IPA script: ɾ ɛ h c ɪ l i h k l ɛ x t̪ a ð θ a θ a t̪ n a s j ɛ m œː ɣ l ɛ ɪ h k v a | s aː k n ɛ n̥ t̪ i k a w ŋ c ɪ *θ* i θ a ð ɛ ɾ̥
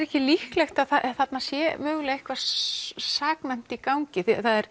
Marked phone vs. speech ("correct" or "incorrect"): correct